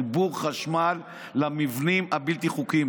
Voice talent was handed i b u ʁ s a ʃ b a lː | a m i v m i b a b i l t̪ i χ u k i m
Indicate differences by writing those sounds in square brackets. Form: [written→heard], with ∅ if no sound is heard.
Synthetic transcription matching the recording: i b u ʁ [s→χ] a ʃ [b→m] a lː | a m i v [m→n] i [b→m] a b i l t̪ i χ u k i m